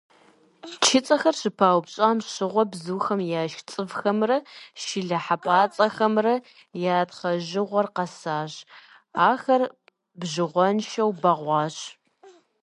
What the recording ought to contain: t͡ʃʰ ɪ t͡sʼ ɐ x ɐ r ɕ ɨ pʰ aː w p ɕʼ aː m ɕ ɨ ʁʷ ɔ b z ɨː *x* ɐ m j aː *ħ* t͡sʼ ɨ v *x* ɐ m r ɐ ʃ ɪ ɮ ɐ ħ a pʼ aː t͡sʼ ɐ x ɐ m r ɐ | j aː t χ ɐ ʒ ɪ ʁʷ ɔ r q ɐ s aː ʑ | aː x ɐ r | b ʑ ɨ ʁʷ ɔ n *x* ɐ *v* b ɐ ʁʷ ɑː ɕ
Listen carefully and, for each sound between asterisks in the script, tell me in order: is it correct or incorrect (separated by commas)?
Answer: correct, incorrect, correct, incorrect, incorrect